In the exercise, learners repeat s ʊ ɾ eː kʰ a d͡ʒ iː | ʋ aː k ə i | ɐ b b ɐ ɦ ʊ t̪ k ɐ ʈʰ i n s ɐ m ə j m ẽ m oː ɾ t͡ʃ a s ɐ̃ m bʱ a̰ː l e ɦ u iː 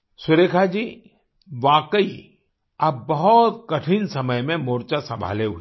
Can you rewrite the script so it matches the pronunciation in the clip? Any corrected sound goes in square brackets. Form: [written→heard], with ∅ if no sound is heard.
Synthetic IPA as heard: s ʊ ɾ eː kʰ a d͡ʒ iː | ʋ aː k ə i | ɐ b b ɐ ɦ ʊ t̪ k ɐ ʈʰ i n s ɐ m ə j m ẽ m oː ɾ t͡ʃ a s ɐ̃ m bʱ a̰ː l e ɦ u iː

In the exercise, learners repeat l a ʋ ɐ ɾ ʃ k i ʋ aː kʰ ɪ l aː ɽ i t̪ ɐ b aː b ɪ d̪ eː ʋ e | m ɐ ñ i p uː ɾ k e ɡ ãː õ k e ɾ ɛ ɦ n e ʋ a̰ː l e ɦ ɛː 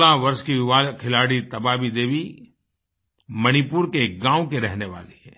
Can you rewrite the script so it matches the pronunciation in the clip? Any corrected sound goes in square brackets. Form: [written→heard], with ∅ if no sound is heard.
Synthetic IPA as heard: l a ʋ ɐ ɾ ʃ k i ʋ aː kʰ ɪ l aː ɽ i t̪ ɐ b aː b [ɪ→i] d̪ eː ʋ [e→i] | m ɐ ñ i p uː ɾ k e ɡ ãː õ k e ɾ ɛ ɦ n e ʋ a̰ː l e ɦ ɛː

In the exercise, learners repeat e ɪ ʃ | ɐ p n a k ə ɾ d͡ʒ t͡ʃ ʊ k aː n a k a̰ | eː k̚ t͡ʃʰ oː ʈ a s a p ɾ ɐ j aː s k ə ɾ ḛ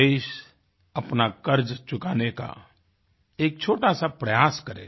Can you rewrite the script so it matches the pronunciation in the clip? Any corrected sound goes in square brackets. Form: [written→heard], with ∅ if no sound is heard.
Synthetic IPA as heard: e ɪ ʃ | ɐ p n a k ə ɾ d͡ʒ t͡ʃ ʊ k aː n [a→e] k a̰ | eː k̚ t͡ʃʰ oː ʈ a s a p ɾ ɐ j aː s k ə ɾ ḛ

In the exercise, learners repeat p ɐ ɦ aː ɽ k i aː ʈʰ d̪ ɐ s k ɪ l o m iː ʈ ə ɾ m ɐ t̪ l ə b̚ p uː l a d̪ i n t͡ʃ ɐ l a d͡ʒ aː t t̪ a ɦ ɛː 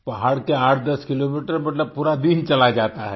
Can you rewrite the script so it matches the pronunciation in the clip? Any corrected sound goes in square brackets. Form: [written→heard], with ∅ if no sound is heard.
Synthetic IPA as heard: p ɐ ɦ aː ɽ k [i→e] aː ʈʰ d̪ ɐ s k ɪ l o m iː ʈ ə ɾ m ɐ t̪ l ə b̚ p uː [l→ɾ] a d̪ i n t͡ʃ ɐ l a d͡ʒ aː t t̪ a ɦ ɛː

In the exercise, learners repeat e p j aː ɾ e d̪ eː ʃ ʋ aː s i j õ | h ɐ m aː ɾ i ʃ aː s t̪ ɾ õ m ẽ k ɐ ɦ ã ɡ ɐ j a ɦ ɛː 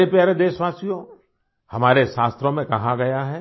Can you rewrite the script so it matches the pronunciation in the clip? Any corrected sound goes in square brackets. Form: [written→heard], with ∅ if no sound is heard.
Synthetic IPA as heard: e p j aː ɾ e d̪ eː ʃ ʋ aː s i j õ | h ɐ m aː ɾ [i→e] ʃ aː s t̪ ɾ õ m ẽ k ɐ ɦ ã ɡ ɐ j a ɦ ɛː

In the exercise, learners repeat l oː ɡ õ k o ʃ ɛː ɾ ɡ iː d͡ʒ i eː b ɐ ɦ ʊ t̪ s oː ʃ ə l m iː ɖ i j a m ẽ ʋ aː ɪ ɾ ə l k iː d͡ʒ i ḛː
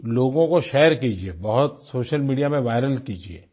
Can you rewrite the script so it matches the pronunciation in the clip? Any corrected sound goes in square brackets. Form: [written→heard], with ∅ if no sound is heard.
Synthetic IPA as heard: l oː ɡ õ k o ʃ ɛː ɾ [ɡ→k] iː d͡ʒ i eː b ɐ ɦ ʊ t̪ s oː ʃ ə l m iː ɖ i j a m ẽ ʋ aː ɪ ɾ ə l k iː d͡ʒ i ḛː

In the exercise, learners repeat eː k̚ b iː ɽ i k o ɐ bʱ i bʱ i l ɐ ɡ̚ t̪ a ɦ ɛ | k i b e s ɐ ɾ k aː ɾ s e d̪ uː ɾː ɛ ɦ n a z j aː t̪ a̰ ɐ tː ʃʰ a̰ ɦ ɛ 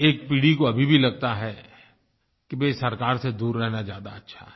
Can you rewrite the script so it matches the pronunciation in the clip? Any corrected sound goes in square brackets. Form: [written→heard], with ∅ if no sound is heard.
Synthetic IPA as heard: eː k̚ [b→p] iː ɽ i k o ɐ bʱ i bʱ i l ɐ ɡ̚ t̪ a ɦ ɛ | k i b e s ɐ ɾ k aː ɾ s e d̪ uː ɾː ɛ ɦ n a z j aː [t̪→d̪] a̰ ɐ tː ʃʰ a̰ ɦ ɛ

